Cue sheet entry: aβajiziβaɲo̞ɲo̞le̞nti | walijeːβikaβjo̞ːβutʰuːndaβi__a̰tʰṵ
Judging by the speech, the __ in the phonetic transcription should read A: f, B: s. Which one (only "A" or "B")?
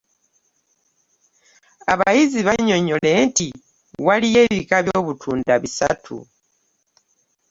B